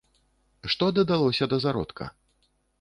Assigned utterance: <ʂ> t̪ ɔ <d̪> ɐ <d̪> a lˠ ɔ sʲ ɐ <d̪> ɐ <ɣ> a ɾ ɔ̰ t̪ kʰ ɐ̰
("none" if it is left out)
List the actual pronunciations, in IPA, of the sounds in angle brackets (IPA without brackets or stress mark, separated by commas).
ʂ, d̪, d̪, d̪, z